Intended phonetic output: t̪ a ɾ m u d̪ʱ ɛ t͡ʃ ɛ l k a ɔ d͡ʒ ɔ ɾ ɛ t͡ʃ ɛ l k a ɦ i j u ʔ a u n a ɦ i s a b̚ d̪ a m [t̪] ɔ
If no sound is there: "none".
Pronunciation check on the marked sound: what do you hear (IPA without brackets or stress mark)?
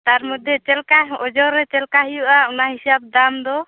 d̪